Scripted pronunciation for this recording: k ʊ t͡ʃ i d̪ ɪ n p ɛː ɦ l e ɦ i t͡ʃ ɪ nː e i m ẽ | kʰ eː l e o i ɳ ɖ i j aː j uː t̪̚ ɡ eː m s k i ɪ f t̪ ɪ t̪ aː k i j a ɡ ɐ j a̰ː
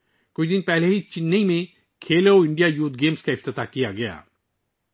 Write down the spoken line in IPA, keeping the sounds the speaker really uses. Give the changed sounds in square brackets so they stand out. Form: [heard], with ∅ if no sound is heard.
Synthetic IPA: k ʊ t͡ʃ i d̪ ɪ n p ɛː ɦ l e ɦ i t͡ʃ ɪ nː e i m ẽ | kʰ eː l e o [ɪ] ɳ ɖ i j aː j uː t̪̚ ɡ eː m s k [a] ɪ f t̪ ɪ t̪ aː k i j a ɡ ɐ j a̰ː